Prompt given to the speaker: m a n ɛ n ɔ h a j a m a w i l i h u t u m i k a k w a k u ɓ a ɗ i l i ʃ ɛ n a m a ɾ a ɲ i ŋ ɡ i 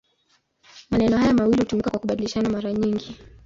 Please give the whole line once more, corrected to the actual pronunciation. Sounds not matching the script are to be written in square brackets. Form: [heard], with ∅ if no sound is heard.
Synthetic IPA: m a n ɛ n ɔ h a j a m a w i l i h u t u m i k a k w a k u ɓ a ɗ i l i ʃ [a] n a m a ɾ a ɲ i ŋ ɡ i